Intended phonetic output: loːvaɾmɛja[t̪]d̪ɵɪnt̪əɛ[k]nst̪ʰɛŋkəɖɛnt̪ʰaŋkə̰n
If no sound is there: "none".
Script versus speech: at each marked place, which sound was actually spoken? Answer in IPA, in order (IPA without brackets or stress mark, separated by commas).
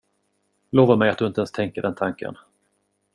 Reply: t̪, none